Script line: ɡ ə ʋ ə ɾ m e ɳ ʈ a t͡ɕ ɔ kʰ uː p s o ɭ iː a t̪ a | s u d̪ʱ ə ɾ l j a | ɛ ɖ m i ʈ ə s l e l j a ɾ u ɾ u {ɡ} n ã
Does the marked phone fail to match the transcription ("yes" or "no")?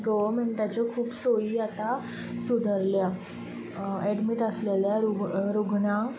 no